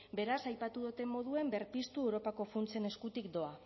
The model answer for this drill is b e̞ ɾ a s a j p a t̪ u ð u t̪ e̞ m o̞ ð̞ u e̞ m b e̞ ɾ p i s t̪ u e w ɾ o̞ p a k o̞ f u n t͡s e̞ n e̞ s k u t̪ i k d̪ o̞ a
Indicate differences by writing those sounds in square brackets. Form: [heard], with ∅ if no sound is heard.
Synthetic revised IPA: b e̞ ɾ a s a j p a t̪ u ð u t̪ e̞ m o̞ ð̞ u e̞ m b e̞ ɾ p i s t̪ u e w ɾ o̞ p a k o̞ f u n t͡s e̞ n e̞ s k u t̪ i k d̪ o̞ a